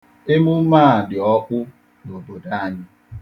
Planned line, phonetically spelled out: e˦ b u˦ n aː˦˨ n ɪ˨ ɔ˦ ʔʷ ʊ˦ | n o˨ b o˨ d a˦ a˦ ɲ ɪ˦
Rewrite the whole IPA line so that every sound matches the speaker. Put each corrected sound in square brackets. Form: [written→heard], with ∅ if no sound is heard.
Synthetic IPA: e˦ [b→m] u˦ [n→m] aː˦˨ [n→d] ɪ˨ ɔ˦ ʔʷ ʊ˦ | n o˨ b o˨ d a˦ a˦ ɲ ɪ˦